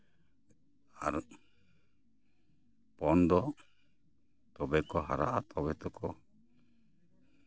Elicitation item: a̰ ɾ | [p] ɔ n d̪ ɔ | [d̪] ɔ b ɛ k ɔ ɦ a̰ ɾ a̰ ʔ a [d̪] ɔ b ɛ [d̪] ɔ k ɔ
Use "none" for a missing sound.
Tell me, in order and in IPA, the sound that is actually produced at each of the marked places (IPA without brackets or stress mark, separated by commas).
p, t̪, t̪, t̪